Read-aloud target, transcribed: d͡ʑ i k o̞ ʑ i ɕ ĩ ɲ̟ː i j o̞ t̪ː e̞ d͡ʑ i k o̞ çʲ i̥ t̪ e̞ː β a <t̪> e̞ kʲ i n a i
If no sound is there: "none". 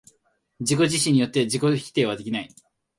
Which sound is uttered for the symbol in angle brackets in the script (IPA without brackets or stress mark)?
d̪